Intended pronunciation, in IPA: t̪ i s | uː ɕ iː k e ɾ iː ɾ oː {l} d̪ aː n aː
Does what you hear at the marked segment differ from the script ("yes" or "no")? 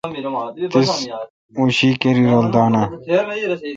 no